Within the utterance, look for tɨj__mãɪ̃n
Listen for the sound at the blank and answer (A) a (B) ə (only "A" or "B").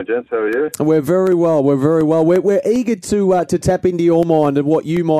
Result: B